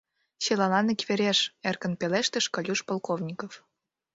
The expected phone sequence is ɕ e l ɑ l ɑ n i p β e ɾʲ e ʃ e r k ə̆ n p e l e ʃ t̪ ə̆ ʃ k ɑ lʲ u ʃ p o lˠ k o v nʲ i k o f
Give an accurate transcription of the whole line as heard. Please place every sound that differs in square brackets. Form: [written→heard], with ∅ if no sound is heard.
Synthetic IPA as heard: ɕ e l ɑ l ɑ n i [p→k] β e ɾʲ e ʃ e r k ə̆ n p e l e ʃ t̪ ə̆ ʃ k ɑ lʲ u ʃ p o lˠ k o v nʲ i k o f